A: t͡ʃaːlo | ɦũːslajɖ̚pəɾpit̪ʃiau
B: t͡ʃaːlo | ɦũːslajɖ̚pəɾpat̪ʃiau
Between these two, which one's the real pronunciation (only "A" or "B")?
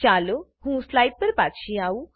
B